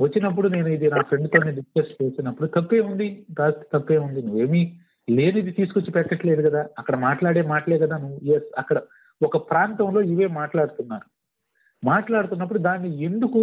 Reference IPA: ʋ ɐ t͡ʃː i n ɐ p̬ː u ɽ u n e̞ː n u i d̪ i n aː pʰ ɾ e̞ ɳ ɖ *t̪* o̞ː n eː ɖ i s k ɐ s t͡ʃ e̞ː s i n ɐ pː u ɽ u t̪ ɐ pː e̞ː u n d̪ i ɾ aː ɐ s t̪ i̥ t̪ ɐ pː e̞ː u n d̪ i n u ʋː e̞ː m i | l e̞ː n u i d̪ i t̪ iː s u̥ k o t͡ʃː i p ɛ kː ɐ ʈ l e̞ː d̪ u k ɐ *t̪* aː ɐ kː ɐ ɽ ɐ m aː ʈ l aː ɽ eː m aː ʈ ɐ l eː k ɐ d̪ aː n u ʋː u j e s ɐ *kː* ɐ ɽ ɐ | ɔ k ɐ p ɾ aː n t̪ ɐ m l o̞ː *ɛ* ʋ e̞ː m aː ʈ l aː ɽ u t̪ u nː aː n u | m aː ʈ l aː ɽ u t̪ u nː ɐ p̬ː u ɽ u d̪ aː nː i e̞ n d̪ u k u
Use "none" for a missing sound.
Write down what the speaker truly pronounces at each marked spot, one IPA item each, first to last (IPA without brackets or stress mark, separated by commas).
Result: t̪, d̪, kː, i